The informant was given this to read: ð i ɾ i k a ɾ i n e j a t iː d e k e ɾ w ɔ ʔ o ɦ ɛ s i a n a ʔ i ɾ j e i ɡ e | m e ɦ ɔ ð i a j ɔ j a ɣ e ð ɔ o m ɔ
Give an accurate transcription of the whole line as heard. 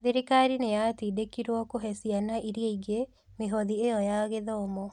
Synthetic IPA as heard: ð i ɾ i k a ɾ i n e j a t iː d e k i ɾ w ɔ k o ɦ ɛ s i a n a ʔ i ɾ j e i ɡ e | m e ɦ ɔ ð i e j ɔ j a ɣ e ð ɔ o m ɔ